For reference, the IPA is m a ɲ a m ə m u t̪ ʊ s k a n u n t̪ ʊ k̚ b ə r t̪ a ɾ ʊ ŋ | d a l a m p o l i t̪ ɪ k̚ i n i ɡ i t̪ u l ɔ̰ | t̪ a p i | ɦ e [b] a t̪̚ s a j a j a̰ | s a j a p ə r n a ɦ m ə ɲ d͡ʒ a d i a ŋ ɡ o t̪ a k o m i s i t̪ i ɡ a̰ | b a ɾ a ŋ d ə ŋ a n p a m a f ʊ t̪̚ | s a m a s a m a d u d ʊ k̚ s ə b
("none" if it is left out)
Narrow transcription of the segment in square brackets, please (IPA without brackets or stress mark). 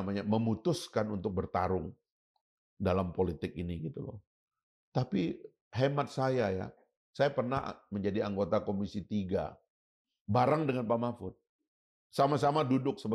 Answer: m